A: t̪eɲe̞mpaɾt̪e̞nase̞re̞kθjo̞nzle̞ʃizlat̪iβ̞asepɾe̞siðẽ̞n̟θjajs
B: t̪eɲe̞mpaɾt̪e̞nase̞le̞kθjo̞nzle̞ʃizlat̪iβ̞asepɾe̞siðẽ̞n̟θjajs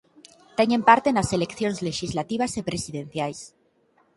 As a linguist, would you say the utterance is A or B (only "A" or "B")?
B